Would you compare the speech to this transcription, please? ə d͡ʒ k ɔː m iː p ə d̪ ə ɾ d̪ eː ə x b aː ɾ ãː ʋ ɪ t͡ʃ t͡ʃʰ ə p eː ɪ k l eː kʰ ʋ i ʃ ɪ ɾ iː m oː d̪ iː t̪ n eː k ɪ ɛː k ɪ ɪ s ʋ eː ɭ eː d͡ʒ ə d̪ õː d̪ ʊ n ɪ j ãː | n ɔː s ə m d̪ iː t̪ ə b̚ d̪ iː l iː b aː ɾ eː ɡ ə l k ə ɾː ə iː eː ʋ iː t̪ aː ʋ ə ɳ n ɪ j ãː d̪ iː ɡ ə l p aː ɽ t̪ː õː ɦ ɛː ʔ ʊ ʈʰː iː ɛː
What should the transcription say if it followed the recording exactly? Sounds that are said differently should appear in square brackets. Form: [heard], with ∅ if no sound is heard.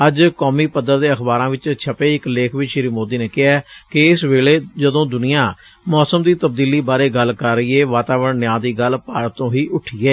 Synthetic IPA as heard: ə d͡ʒ k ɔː m iː p ə d̪ ə ɾ d̪ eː ə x b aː ɾ ãː ʋ ɪ t͡ʃ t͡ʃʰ ə p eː ɪ k l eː kʰ ʋ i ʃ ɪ ɾ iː m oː d̪ iː [∅] n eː k ɪ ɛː k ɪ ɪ s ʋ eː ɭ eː d͡ʒ ə d̪ õː d̪ ʊ n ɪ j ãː | [m] ɔː s ə m d̪ iː t̪ ə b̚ d̪ iː l iː b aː ɾ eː ɡ ə l k ə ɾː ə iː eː ʋ [aː] t̪ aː ʋ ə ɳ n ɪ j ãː d̪ iː ɡ ə l p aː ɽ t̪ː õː ɦ [iː] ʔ ʊ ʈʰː iː ɛː